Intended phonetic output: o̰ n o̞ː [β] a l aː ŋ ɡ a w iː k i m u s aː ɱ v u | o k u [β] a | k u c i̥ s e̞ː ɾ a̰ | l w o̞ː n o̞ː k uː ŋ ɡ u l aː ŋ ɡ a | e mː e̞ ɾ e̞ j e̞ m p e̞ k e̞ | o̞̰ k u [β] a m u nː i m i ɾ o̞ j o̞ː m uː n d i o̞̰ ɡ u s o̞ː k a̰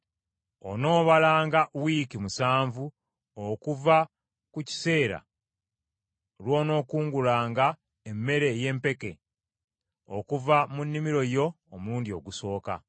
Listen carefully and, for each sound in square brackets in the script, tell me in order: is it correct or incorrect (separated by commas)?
correct, incorrect, incorrect